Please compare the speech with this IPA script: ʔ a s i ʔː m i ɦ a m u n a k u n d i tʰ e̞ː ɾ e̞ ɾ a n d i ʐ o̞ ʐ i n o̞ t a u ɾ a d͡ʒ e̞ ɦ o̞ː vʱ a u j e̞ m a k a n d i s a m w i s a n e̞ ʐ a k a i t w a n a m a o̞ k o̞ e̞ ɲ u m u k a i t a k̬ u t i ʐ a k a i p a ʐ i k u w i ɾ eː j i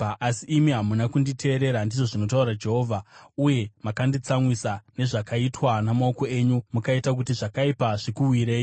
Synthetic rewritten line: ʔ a s i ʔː m i ɦ a m u n a k u n d i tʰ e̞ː ɾ e̞ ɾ a n d i ʐ o̞ ʐ i n o̞ t a u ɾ a d͡ʒ e̞ ɦ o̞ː vʱ a u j e̞ m a k a n d i t͡s a m w i s a n e̞ ʐ a k a i t w a n a m a o̞ k o̞ e̞ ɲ u m u k a i t a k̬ u t i ʐ a k a i p a ʐ i k u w i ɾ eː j i